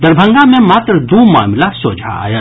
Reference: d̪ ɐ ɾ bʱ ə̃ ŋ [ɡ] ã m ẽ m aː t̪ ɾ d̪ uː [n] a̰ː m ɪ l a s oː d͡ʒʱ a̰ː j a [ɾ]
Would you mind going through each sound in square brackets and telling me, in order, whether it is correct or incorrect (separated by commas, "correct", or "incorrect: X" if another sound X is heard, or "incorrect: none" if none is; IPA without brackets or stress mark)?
correct, incorrect: m, incorrect: none